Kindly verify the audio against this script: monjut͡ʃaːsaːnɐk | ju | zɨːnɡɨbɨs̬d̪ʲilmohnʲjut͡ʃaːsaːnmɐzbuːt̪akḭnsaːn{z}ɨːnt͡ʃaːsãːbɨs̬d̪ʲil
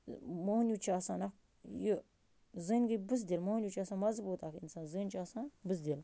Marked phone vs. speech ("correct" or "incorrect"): correct